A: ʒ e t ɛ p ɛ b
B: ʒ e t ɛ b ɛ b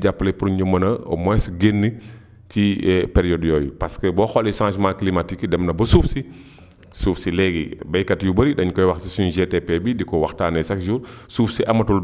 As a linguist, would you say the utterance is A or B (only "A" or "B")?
A